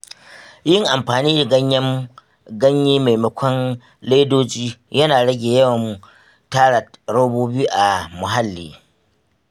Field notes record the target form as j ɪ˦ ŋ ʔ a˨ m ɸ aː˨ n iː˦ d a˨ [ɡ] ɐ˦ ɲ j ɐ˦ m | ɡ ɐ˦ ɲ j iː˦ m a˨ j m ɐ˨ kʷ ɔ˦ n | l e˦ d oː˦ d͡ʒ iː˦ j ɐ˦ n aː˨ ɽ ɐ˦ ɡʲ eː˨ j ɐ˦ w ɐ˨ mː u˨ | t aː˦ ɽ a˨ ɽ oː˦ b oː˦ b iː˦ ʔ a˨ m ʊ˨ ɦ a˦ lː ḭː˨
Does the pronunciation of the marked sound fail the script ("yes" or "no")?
no